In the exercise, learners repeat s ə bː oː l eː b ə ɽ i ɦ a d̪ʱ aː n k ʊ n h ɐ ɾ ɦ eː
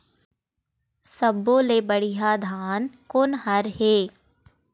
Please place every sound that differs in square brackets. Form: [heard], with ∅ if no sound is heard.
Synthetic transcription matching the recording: s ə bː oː l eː b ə ɽ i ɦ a d̪ʱ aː n k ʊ n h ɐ ɾ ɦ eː

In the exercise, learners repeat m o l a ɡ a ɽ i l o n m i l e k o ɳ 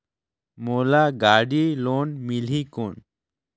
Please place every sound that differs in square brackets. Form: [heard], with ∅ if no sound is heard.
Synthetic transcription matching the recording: m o l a ɡ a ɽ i l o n m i l [i] k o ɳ

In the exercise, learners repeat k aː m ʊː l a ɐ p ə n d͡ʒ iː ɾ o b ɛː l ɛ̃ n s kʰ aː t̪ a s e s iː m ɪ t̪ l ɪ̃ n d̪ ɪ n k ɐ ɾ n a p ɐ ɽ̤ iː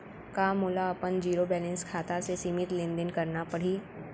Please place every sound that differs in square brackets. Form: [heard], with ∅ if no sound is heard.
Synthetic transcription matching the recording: k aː m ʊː l a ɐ p ə n d͡ʒ iː ɾ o b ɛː l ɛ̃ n s kʰ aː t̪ a s e s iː m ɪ t̪ l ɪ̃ n d̪ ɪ n k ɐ ɾ n a p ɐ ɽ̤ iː

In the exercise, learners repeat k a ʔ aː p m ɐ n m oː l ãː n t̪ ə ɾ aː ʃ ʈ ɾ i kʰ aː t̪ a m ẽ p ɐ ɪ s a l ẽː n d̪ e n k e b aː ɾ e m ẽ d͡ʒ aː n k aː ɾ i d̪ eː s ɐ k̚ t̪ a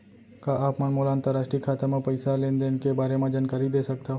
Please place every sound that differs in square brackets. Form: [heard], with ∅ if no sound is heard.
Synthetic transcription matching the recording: k a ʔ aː p m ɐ n m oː l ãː n t̪ ə ɾ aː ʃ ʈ ɾ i kʰ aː t̪ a m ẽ p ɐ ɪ s a l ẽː n d̪ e n k e b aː ɾ e m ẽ d͡ʒ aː n k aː ɾ i d̪ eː s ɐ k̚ t̪ a

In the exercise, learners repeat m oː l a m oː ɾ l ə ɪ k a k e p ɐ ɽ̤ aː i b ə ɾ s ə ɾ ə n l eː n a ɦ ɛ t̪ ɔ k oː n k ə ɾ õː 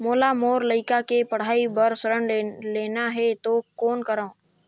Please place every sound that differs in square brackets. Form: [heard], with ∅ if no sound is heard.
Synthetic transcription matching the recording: m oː l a m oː ɾ l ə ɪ k a k e p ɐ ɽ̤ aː i b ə ɾ s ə ɾ ə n l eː n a ɦ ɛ t̪ [o] k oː n k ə ɾ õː

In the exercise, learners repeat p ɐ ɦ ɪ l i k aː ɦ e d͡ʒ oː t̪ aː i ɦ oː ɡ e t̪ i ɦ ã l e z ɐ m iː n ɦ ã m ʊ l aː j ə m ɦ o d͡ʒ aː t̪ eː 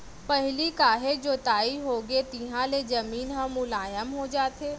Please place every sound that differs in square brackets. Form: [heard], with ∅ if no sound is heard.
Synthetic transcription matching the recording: p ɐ ɦ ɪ l i k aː ɦ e d͡ʒ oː t̪ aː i ɦ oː ɡ e t̪ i ɦ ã l e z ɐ m iː n ɦ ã m ʊ l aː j ə m ɦ o d͡ʒ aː t̪ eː

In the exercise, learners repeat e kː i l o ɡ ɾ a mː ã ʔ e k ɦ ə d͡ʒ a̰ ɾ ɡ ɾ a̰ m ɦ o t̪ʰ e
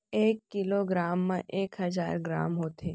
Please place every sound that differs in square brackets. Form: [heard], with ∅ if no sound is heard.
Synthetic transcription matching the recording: e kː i l o ɡ ɾ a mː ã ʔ e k ɦ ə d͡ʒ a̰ ɾ ɡ ɾ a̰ m ɦ o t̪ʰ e

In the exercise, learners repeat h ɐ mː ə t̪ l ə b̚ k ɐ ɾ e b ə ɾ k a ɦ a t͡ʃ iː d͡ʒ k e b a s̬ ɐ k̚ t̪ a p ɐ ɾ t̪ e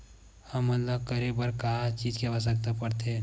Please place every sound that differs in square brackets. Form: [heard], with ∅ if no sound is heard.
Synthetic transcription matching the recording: h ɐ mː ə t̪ l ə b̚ k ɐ ɾ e b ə ɾ k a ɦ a t͡ʃ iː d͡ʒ k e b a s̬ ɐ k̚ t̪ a p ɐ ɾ t̪ e

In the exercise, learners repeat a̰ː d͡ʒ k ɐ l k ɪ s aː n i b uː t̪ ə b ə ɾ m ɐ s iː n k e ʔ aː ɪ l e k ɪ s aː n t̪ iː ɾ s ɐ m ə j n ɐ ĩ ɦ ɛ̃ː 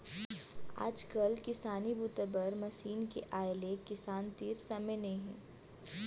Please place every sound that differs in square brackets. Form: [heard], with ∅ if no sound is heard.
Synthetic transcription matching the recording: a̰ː d͡ʒ k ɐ l k ɪ s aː n i b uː t̪ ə b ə ɾ m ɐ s iː n k e ʔ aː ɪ l e k ɪ s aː n t̪ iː ɾ s ɐ m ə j n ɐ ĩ ɦ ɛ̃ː

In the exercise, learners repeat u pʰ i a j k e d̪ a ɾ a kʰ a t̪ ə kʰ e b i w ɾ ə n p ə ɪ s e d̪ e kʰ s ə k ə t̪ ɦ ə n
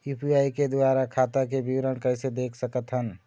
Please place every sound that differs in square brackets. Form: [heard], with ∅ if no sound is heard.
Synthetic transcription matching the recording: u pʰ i a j k e d̪ a ɾ a kʰ a t̪ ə [k] e b i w ɾ ə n [k] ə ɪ s e d̪ e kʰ s ə k ə t̪ ɦ ə n

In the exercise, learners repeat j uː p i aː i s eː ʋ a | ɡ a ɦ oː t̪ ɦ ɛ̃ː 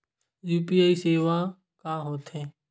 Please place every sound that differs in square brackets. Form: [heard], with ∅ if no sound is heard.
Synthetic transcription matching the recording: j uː p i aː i s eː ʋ a | [k] a ɦ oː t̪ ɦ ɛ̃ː

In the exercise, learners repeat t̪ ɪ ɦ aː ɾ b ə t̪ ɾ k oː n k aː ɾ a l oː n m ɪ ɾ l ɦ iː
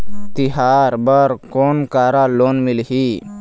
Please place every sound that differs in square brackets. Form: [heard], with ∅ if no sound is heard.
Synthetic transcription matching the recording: t̪ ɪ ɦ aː ɾ b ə [∅] ɾ k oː n k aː ɾ a l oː n m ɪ [∅] l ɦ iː

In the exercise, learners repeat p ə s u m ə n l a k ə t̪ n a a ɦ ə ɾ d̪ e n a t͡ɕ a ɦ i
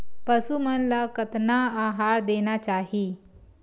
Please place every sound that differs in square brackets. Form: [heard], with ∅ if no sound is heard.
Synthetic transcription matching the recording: p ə s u m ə n l a k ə t̪ n a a ɦ [a] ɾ d̪ e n a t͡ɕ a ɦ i

